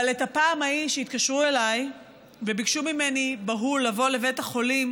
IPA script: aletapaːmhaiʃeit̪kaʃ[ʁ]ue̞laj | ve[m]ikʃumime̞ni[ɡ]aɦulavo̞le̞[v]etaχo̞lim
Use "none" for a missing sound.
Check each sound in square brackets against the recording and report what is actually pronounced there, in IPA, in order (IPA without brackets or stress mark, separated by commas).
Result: ʁ, b, b, v